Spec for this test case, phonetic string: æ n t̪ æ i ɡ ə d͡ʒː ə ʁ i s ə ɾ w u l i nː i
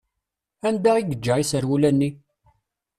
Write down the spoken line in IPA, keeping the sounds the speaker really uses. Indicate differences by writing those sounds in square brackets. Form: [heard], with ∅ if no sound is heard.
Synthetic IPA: æ n [d̪] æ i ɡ ə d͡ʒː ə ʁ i s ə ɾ w u l [æ] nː i